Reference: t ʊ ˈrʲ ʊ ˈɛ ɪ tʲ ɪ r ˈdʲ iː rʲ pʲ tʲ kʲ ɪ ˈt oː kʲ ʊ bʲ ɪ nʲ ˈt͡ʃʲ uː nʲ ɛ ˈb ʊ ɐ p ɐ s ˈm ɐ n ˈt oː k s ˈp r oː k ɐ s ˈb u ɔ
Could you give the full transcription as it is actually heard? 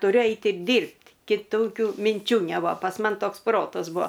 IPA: t ʊ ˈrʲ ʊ ˈɛ ɪ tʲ ɪ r ˈdʲ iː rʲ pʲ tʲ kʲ ɪ ˈt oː kʲ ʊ mʲ ɪ nʲ ˈt͡ʃʲ uː nʲ ɛ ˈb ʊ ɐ p ɐ s ˈm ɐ n ˈt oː k s ˈp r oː t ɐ s ˈb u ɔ

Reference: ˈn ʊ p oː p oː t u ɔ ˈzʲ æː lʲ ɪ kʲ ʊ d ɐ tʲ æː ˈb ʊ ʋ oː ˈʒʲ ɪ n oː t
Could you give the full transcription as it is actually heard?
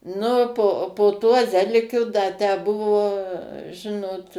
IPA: ˈn ʊ p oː p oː t u ɔ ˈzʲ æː lʲ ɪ kʲ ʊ d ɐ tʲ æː ˈb ʊ ʋ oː ˈʒʲ ɪ n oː t

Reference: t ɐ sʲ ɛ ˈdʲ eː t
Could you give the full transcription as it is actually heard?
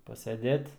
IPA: p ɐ sʲ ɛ ˈdʲ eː t

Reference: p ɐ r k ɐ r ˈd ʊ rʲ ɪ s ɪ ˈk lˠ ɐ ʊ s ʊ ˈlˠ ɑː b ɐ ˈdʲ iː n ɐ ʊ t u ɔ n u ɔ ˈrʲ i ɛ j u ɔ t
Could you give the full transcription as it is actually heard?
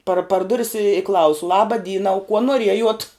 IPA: p ɐ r p ɐ r ˈd ʊ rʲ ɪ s ɪ ˈk lˠ ɐ ʊ s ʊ ˈlˠ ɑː b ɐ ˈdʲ iː n ɐ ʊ k u ɔ n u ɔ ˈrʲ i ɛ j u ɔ t

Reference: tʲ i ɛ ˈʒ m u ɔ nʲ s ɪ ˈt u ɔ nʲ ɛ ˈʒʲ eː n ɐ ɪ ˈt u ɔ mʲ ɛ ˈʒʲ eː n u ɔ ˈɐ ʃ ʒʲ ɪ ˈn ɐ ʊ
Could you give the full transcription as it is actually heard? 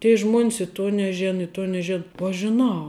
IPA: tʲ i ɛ ˈʒ m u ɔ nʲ s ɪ ˈt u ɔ nʲ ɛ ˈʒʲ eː n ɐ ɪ ˈt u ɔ nʲ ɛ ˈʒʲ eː n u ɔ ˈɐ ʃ ʒʲ ɪ ˈn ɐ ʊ

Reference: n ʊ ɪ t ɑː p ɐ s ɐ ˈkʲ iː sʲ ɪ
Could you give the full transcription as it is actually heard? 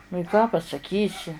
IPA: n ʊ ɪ k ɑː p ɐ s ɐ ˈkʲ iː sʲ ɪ

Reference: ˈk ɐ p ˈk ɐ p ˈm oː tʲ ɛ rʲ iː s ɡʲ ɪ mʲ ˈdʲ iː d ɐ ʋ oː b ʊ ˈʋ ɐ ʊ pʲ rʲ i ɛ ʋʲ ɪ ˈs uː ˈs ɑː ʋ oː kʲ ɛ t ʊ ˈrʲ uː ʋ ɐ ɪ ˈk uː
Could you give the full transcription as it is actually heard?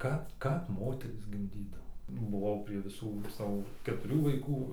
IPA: ˈk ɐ p ˈk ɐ p ˈm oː tʲ ɛ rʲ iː s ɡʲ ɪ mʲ ˈdʲ iː d ɐ ʋ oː b ʊ ˈʋ ɐ ʊ pʲ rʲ i ɛ ʋʲ ɪ ˈs uː ˈs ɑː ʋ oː kʲ ɛ t ʊ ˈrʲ uː ʋ ɐ ɪ ˈk uː

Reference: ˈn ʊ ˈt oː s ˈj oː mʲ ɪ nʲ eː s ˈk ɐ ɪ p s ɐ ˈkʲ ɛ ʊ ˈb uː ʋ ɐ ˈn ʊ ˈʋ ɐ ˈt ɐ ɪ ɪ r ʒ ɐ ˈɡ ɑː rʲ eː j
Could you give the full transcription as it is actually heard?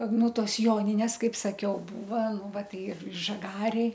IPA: ˈn ʊ ˈt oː s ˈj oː nʲ ɪ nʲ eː s ˈk ɐ ɪ p s ɐ ˈkʲ ɛ ʊ ˈb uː ʋ ɐ ˈn ʊ ˈʋ ɐ ˈt ɐ ɪ ɪ r ʒ ɐ ˈɡ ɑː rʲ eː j

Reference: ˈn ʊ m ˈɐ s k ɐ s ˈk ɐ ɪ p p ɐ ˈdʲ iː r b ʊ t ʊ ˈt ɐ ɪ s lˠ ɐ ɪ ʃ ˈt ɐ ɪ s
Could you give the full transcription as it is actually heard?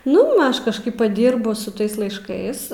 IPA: ˈn ʊ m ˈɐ ʃ k ɐ ʃ ˈk ɐ ɪ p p ɐ ˈdʲ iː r b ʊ s ʊ ˈt ɐ ɪ s lˠ ɐ ɪ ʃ ˈk ɐ ɪ s

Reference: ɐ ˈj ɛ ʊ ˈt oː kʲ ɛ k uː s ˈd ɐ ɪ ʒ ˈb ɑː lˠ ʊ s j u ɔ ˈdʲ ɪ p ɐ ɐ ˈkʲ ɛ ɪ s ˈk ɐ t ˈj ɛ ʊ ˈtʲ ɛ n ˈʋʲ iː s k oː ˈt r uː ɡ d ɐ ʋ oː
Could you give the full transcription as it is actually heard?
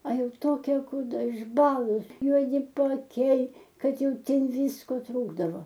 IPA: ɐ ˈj ɛ ʊ ˈt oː kʲ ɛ k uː ˈd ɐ ɪ ʒ ˈb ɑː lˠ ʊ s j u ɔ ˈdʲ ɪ p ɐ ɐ ˈkʲ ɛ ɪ ˈk ɐ t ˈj ɛ ʊ ˈtʲ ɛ n ˈʋʲ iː s k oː ˈt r uː ɡ d ɐ ʋ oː

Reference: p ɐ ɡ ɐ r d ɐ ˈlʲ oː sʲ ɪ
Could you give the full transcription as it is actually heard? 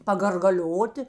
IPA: p ɐ ɡ ɐ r ɡ ɐ ˈlʲ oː tʲ ɪ

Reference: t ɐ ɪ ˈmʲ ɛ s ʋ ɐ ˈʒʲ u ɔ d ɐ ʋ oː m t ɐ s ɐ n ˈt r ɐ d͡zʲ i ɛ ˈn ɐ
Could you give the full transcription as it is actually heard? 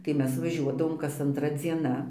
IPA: t ɐ ɪ ˈmʲ ɛ s ʋ ɐ ˈʒʲ u ɔ d ɐ ʋ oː m k ɐ s ɐ n ˈt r ɐ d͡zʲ i ɛ ˈn ɐ

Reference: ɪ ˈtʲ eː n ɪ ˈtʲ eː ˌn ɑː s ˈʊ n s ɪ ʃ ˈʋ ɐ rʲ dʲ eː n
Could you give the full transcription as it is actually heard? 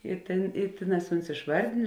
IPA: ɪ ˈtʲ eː n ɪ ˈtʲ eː ˌn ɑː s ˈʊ n s ɪ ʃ ˈʋ ɐ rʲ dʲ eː n

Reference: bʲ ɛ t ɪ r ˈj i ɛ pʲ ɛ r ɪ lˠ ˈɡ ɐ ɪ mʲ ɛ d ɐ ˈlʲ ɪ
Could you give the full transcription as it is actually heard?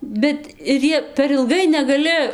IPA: bʲ ɛ t ɪ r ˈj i ɛ pʲ ɛ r ɪ lˠ ˈɡ ɐ ɪ nʲ ɛ ɡ ɐ ˈlʲ ɪ

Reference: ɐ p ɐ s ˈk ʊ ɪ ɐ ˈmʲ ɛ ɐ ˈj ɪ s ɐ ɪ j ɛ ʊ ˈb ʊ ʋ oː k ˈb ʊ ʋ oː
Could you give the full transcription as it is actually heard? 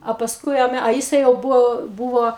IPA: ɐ p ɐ s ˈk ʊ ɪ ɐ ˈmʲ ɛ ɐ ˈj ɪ s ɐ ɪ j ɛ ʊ ˈb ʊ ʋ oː ˈb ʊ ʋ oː

